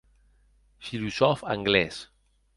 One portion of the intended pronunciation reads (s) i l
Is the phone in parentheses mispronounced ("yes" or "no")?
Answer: yes